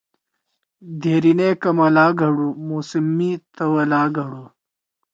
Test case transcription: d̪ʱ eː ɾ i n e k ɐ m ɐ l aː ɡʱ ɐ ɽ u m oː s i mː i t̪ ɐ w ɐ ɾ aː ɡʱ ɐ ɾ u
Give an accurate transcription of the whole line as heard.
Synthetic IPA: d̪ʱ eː ɾ i n e k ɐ m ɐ l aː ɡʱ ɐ ɽ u m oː s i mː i t̪ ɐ w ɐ l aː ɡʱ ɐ ɽ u